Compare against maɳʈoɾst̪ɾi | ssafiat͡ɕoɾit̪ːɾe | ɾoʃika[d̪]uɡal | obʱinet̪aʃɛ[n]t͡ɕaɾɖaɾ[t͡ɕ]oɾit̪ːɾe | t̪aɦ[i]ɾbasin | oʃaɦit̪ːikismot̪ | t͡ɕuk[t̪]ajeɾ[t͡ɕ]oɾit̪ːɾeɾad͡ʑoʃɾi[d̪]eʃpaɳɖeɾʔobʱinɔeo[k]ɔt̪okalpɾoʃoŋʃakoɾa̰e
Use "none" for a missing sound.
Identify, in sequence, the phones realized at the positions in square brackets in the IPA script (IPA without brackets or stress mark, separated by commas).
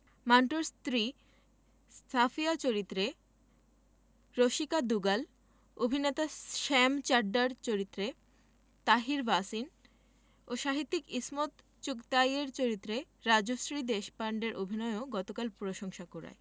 d̪, m, t͡ɕ, i, t̪, t͡ɕ, d̪, ɡ